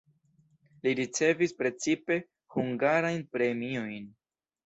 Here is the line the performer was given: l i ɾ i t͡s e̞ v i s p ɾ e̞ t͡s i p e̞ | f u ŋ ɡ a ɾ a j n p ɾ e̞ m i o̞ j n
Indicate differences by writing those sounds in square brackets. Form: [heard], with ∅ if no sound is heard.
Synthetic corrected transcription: l i ɾ i t͡s e̞ v i s p ɾ e̞ t͡s i p e̞ | [h] u ŋ ɡ a ɾ a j n p ɾ e̞ m i o̞ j n